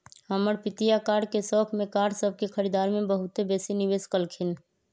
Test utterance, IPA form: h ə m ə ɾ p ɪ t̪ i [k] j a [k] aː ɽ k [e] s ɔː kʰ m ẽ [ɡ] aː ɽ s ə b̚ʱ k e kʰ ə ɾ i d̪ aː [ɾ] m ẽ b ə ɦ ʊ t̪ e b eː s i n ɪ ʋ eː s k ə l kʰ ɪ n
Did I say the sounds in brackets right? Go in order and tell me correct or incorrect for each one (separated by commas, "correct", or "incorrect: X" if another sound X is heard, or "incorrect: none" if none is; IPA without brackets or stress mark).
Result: incorrect: none, correct, correct, incorrect: k, correct